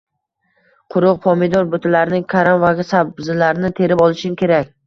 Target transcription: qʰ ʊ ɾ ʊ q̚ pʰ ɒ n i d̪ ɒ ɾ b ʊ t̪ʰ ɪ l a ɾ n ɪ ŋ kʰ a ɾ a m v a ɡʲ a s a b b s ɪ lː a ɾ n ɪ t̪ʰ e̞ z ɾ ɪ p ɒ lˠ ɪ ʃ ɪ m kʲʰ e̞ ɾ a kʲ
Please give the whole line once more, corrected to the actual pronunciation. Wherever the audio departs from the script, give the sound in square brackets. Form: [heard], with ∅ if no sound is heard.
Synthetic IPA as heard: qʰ ʊ ɾ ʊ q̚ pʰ ɒ [m] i d̪ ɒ ɾ b ʊ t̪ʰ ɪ l a ɾ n ɪ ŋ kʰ a ɾ a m v a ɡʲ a s a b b [z] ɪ [l] a ɾ n ɪ t̪ʰ e̞ [∅] ɾ ɪ p ɒ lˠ ɪ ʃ ɪ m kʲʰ e̞ ɾ a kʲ